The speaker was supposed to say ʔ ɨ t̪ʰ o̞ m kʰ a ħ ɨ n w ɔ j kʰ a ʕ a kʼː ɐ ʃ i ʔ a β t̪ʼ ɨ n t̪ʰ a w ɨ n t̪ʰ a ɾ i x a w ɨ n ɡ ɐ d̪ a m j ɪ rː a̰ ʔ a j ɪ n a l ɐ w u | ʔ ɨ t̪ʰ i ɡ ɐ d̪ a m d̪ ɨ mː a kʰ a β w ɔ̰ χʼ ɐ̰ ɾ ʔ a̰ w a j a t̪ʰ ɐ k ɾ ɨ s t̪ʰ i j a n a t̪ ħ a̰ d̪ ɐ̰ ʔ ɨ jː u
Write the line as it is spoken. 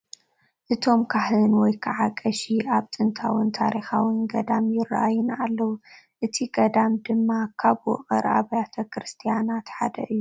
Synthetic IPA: ʔ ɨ t̪ʰ o̞ m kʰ a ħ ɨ n w ɔ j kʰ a ʕ a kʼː ɐ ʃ i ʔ a β t̪ʼ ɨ n t̪ʰ a w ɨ n t̪ʰ a ɾ i x a w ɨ n ɡ ɐ d̪ a m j ɪ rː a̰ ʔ a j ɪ n a lː ɐ w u | ʔ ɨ t̪ʰ i ɡ ɐ d̪ a m d̪ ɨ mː a kʰ a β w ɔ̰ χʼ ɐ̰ ɾ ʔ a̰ β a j a t̪ʰ ɐ k ɾ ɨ s t̪ʰ i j a n a t̪ ħ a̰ d̪ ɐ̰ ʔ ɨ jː u